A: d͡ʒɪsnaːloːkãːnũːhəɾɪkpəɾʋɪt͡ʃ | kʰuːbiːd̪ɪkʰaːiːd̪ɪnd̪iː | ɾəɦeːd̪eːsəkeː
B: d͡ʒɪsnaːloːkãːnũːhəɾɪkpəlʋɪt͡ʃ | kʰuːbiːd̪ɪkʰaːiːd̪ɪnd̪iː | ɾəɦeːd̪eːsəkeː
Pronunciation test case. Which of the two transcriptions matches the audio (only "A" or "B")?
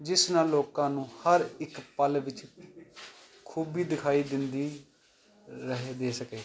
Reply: B